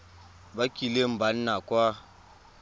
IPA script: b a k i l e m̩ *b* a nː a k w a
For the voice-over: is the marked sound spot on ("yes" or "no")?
yes